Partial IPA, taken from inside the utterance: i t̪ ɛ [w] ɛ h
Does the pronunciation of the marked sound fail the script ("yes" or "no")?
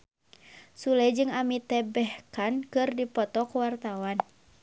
yes